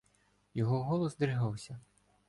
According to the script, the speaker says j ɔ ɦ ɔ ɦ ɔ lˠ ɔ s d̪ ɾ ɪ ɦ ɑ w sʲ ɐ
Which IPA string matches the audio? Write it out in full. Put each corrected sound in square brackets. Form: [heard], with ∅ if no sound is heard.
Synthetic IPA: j ɔ ɦ ɔ ɦ ɔ lˠ ɔ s d̪ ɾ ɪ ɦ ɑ w sʲ ɐ